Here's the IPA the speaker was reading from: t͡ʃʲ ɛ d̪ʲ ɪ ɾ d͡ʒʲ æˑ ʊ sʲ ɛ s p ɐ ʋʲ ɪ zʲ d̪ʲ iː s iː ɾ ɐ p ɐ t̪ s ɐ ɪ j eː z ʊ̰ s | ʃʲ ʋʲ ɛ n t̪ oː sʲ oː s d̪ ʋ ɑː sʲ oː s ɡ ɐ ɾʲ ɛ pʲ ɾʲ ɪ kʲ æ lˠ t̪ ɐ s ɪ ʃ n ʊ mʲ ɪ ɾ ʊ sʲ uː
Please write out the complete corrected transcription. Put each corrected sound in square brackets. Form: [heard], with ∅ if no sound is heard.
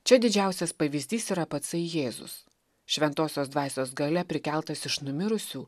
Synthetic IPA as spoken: t͡ʃʲ ɛ d̪ʲ ɪ [∅] d͡ʒʲ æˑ ʊ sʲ ɛ s p ɐ ʋʲ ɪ zʲ d̪ʲ iː s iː ɾ ɐ p ɐ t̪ s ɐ ɪ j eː z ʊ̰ s | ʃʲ ʋʲ ɛ n t̪ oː sʲ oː s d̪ ʋ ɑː sʲ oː s ɡ ɐ [lʲ] ɛ pʲ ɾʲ ɪ kʲ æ lˠ t̪ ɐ s ɪ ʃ n ʊ mʲ ɪ ɾ ʊ sʲ uː